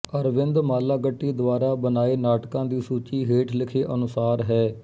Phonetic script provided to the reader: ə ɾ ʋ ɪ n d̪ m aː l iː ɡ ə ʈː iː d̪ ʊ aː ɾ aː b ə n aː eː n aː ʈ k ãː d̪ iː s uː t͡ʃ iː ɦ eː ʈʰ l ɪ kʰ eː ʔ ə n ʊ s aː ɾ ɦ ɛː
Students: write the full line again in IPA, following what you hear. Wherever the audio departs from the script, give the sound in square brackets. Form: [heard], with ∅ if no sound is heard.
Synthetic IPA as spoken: ə ɾ ʋ ɪ n d̪ m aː l [aː] ɡ ə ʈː iː d̪ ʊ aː ɾ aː b ə n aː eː n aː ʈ k ãː d̪ iː s uː t͡ʃ iː ɦ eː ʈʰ l ɪ kʰ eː ʔ ə n ʊ s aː ɾ ɦ ɛː